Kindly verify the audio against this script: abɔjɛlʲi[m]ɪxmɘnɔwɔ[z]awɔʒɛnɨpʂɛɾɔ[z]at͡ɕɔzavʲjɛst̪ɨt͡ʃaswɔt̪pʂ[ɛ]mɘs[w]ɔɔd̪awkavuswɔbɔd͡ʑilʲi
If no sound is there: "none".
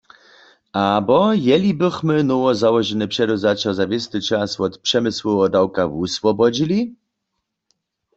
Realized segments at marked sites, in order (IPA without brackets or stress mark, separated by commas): b, z, z, ɛ, w